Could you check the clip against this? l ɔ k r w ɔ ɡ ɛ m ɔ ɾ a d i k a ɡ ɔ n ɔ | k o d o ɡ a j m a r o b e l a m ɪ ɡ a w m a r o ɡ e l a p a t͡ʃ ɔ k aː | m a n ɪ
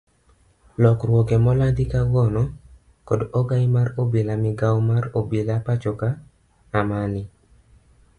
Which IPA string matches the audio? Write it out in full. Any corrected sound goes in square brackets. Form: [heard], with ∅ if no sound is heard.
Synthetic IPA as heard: l ɔ k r w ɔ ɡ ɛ m ɔ [l] a d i k a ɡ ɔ n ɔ | k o d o ɡ a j m a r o b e l a m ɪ ɡ a w m a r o [b] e l a p a t͡ʃ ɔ k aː | m a n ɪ